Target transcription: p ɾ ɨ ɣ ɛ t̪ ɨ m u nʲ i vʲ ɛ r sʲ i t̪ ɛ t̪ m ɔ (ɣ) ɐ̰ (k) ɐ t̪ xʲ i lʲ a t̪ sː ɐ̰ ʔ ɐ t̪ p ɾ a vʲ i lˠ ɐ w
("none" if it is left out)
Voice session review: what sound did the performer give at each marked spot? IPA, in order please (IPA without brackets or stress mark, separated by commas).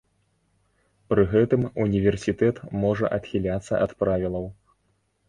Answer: ʐ, ʔ